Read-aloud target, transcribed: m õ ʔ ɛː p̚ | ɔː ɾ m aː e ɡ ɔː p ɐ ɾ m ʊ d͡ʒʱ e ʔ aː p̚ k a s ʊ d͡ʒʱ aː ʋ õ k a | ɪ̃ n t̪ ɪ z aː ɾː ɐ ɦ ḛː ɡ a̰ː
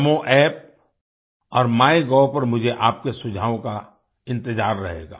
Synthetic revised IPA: m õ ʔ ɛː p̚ | ɔː ɾ m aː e ɡ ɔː p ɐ ɾ m ʊ d͡ʒʱ e ʔ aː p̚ k e s ʊ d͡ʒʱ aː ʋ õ k a | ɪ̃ n t̪ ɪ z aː ɾː ɐ ɦ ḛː ɡ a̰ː